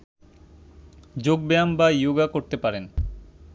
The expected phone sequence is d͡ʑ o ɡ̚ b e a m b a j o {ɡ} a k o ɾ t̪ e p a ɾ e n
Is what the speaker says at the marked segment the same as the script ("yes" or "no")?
yes